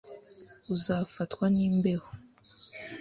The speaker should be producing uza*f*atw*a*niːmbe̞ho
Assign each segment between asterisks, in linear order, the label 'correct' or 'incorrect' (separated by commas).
correct, correct